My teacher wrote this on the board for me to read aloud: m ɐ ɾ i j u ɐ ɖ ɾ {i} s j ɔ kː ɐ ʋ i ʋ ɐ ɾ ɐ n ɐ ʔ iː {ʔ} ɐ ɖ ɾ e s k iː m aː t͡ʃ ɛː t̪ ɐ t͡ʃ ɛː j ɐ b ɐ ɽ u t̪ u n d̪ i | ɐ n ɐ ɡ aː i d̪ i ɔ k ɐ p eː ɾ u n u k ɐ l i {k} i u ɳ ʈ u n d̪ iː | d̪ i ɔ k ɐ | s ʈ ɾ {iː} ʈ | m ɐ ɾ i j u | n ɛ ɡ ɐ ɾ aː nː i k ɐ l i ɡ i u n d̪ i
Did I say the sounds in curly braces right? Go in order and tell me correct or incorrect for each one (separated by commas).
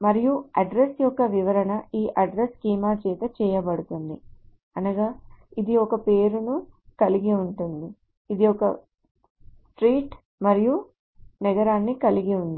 incorrect, correct, incorrect, correct